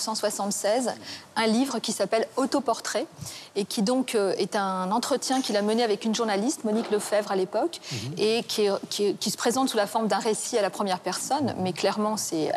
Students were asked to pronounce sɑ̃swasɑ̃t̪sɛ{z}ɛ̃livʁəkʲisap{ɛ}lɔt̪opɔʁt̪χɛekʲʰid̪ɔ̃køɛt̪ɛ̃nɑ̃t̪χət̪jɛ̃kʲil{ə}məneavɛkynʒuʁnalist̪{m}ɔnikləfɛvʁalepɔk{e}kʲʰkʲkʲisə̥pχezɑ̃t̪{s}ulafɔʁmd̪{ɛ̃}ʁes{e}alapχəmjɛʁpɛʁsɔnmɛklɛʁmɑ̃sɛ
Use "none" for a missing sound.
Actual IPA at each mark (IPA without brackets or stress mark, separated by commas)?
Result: z, ɛ, a, m, e, s, ɛ̃, i